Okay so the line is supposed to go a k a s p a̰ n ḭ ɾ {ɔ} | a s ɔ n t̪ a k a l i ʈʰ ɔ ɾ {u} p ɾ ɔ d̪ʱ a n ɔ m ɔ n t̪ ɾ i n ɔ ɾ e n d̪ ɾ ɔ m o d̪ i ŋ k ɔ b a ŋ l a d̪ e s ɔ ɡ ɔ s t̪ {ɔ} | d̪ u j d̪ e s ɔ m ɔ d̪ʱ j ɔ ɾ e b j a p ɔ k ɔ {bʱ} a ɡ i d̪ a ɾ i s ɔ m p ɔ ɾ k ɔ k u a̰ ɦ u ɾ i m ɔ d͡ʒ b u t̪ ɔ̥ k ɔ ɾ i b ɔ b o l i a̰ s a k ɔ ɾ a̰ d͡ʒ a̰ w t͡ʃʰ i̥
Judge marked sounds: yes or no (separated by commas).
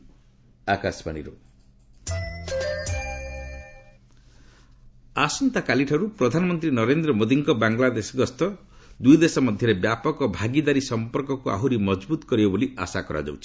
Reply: no, yes, yes, yes